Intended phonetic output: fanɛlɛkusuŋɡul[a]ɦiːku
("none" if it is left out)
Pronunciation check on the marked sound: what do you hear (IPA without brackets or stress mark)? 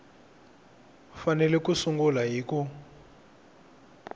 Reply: a